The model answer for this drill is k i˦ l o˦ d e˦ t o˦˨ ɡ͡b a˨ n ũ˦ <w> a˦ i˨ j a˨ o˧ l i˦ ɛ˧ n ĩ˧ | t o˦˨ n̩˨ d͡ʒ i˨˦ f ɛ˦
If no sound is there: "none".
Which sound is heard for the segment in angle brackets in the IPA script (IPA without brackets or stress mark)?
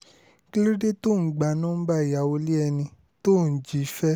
b